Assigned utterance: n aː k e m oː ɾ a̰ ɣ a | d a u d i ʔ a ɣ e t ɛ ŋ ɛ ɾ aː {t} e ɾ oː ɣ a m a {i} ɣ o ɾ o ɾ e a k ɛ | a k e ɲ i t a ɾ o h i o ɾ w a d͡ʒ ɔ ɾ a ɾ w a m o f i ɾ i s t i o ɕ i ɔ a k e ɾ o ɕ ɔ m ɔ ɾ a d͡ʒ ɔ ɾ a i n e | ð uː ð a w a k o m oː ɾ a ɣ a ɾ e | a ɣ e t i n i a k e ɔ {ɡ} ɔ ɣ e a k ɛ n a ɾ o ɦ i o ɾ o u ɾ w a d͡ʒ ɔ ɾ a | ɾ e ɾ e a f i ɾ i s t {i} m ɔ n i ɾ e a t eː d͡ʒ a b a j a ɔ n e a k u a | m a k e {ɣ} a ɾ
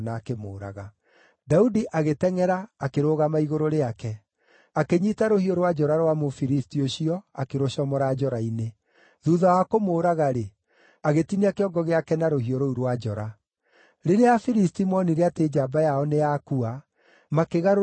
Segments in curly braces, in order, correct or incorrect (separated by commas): incorrect, correct, correct, correct, correct